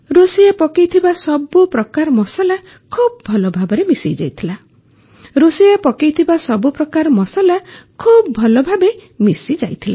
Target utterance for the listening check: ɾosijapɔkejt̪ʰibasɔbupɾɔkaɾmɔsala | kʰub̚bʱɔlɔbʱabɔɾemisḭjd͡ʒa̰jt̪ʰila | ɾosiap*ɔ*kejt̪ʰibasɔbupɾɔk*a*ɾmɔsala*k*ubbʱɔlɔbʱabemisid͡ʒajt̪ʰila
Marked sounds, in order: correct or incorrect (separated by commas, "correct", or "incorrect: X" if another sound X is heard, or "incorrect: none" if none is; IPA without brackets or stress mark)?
correct, correct, incorrect: kʰ